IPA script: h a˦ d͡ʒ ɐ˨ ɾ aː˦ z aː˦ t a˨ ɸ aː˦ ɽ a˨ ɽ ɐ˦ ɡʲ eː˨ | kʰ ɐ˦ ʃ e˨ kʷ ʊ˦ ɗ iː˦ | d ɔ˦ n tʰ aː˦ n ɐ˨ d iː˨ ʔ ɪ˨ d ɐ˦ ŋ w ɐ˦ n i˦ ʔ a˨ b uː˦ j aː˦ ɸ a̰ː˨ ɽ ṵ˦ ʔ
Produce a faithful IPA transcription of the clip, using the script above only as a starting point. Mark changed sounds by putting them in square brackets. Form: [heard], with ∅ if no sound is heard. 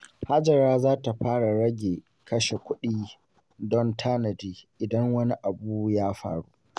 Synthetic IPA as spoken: h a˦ d͡ʒ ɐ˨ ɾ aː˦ z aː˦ t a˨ ɸ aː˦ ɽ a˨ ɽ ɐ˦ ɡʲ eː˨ | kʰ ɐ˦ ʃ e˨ kʷ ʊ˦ ɗ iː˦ | d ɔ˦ n tʰ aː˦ n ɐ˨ d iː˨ ʔ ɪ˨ d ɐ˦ ŋ w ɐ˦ n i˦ ʔ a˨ b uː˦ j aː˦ ɸ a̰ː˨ ɽ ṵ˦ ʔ